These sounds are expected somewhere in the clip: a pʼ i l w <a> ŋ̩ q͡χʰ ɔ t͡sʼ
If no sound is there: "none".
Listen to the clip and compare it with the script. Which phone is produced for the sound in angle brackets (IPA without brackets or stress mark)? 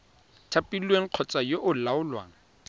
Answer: e